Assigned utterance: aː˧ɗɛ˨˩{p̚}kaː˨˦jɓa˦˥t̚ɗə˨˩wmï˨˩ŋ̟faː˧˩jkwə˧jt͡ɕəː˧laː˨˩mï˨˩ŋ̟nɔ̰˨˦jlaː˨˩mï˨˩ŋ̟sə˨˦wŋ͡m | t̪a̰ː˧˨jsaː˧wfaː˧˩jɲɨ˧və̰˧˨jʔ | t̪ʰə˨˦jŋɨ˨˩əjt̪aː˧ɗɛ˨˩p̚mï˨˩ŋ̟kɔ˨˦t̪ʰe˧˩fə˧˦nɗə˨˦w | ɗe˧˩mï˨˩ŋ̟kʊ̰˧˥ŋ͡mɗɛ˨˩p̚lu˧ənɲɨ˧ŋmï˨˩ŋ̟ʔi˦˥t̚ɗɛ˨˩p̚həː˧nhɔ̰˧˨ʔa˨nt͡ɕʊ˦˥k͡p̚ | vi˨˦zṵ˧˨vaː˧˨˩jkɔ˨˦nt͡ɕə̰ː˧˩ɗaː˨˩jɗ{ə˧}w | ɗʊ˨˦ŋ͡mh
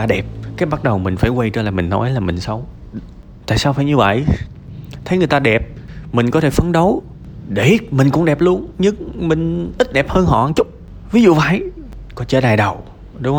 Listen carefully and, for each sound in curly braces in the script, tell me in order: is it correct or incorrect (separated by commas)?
correct, incorrect